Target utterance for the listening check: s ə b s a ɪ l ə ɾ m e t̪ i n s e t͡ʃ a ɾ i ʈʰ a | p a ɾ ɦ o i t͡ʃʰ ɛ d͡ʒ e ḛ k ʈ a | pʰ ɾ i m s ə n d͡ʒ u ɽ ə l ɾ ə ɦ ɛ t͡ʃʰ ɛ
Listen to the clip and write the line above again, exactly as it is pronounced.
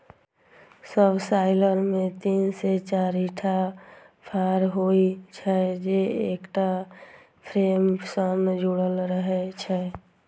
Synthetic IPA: s ə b s a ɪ l ə ɾ m e t̪ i n s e t͡ʃ a ɾ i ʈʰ a | pʰ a ɾ ɦ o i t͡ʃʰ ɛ d͡ʒ e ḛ k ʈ a | pʰ ɾ e m s ə n d͡ʒ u ɽ ə l ɾ ə ɦ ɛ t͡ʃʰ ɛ

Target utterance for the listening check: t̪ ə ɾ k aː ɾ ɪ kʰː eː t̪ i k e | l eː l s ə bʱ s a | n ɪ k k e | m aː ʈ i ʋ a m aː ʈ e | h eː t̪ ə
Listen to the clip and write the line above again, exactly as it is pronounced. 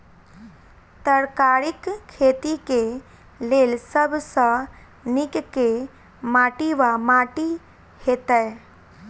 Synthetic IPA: t̪ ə ɾ k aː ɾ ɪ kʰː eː t̪ i k e | l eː l s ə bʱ s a | n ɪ k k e | m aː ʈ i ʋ a m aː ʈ i | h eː t̪ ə

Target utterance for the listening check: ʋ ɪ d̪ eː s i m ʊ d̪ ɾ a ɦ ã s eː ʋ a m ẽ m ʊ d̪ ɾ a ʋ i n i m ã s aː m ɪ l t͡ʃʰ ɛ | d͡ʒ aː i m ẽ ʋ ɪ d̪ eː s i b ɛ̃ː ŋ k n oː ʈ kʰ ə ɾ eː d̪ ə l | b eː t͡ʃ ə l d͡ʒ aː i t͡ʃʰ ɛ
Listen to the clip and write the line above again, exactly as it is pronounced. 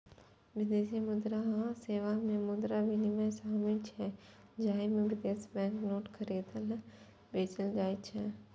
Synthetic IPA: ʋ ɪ d̪ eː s i m ʊ d̪ ɾ a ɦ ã s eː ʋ a m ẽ m ʊ d̪ ɾ a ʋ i n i m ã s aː m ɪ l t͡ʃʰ ɛ | d͡ʒ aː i m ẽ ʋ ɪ d̪ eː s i b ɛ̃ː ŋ k n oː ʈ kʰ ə ɾ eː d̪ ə l | b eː t͡ʃ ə l d͡ʒ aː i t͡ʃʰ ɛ

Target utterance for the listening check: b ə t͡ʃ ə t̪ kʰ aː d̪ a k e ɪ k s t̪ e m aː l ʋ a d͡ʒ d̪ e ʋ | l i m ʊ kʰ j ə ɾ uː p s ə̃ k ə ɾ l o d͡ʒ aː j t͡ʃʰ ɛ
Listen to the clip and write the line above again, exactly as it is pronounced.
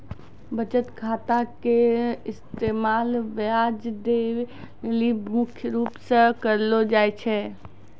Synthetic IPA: b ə t͡ʃ ə t̪ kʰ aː t̪ a k e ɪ s t̪ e m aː l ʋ a d͡ʒ d̪ e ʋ | l i m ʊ kʰ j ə ɾ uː p s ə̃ k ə ɾ l o d͡ʒ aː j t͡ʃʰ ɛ

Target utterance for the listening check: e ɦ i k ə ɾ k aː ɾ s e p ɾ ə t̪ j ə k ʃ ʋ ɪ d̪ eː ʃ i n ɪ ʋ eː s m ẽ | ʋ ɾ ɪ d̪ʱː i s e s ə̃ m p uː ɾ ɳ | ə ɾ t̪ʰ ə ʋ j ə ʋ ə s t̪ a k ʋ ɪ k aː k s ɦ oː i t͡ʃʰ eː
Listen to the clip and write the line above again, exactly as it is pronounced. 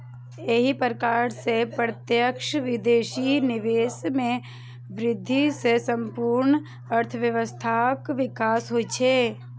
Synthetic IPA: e ɦ i p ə ɾ k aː ɾ s e p ɾ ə t̪ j ə k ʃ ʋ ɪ d̪ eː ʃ i n ɪ ʋ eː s m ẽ | ʋ ɾ ɪ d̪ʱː i s e s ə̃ m p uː ɾ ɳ | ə ɾ t̪ʰ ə ʋ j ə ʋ ə s t̪ʰ a k ʋ ɪ k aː s ɦ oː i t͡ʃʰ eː

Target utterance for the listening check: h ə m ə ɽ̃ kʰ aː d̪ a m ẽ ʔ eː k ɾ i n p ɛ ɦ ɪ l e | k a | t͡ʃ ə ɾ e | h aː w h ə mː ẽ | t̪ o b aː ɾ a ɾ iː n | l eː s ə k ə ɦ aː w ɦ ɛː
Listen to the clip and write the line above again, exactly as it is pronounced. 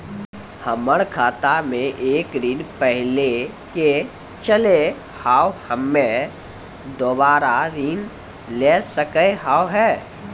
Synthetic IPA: h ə m ə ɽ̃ kʰ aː t̪ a m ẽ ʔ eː k ɾ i n p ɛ ɦ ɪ l e | k e | t͡ʃ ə l e | h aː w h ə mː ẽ | d̪ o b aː ɾ a ɾ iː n | l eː s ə k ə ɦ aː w ɦ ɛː

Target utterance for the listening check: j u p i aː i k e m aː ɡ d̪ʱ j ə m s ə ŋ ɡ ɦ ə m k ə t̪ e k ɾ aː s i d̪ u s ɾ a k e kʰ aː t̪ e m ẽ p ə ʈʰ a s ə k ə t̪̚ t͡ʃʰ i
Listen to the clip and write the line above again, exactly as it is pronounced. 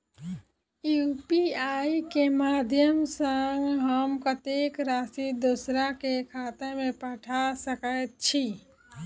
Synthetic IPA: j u p i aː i k e m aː d̪ʱ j ə m s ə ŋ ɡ ɦ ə m k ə t̪ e k ɾ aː s i d̪ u s ɾ a k e kʰ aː t̪ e m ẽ p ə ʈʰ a s ə k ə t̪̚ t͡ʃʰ i

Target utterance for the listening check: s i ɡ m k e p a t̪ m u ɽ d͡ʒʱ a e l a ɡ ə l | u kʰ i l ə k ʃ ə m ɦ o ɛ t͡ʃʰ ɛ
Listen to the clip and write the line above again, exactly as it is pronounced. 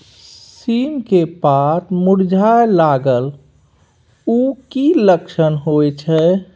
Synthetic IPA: s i m k e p a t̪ m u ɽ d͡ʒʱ a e l a ɡ ə l | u k i l ə k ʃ ə n ɦ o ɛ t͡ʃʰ ɛ

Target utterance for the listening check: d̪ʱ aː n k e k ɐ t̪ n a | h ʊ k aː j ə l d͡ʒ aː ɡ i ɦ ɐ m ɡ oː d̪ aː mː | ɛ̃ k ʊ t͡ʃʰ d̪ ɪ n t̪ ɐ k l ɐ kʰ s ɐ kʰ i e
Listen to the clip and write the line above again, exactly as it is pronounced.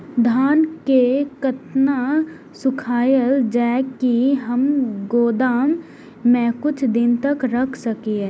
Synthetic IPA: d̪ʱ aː n k e k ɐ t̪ n a | s ʊ kʰ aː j ə l d͡ʒ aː k i ɦ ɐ m ɡ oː d̪ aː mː | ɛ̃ k ʊ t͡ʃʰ d̪ ɪ n t̪ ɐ k ɾ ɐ kʰ s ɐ k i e

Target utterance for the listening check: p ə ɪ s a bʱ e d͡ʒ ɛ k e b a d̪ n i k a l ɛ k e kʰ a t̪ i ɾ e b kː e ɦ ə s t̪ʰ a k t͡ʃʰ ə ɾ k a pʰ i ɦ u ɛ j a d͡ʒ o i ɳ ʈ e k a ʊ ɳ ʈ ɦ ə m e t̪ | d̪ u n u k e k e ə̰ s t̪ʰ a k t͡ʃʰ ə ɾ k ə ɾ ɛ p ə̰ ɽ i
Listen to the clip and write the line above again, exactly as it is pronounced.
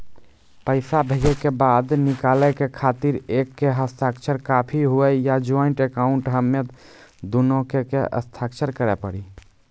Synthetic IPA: p ə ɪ s a bʱ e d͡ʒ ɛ k e b a d̪ n i k a l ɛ k e kʰ a t̪ i ɾ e kː e ɦ ə s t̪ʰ a k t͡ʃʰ ə ɾ k a pʰ i ɦ u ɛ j a d͡ʒ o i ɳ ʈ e k a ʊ ɳ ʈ ɦ ə m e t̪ | d̪ u n o k e k e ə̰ s t̪ʰ a k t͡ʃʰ ə ɾ k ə ɾ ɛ p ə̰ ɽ i

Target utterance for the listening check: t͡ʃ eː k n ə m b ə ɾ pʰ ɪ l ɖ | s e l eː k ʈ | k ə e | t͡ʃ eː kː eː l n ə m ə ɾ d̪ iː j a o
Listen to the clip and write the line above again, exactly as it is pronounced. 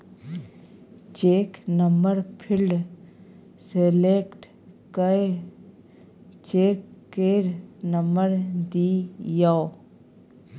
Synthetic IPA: t͡ʃ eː k n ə m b ə ɾ pʰ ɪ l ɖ | s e l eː k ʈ | k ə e | t͡ʃ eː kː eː ɾ n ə m ə ɾ d̪ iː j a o

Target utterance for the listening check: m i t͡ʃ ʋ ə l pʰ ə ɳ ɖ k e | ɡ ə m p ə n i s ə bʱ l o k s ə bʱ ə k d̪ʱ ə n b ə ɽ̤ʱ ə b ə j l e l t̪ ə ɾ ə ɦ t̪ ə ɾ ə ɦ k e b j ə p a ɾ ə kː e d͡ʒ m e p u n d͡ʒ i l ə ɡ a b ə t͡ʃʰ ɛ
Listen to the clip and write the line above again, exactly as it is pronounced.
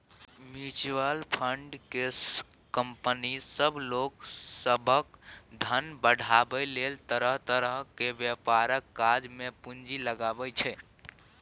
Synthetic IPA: m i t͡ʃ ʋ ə l pʰ ə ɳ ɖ k e | k ə m p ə n i s ə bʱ l o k s ə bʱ ə k d̪ʱ ə n b ə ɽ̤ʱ a b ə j l e l t̪ ə ɾ ə ɦ t̪ ə ɾ ə ɦ k e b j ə p a ɾ ə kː a d͡ʒ m e p u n d͡ʒ i l ə ɡ a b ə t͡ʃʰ ɛ

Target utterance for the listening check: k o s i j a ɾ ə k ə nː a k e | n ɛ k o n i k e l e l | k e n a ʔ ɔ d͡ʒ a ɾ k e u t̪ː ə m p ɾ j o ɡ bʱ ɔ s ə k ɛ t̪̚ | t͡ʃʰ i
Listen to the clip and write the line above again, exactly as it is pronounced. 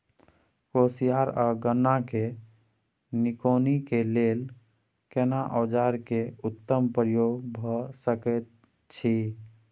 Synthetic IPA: k o s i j a ɾ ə ɡ ə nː a k e | n i k o n i k e l e l | k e n a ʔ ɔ d͡ʒ a ɾ k e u t̪ː ə m p ɾ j o ɡ bʱ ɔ s ə k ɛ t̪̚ | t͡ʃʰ i

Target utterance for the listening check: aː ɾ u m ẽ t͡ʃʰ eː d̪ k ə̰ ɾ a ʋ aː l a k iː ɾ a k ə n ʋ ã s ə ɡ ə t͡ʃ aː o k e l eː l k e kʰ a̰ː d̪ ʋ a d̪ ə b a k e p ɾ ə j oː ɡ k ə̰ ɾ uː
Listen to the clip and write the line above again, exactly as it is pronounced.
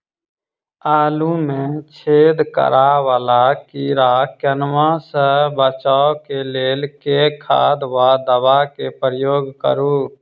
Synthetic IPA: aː l u m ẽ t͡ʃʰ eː d̪ k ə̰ ɾ a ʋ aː l a k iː ɾ a k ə n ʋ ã s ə b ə t͡ʃ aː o k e l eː l k e kʰ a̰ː d̪ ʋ a d̪ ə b a k e p ɾ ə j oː ɡ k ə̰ ɾ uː

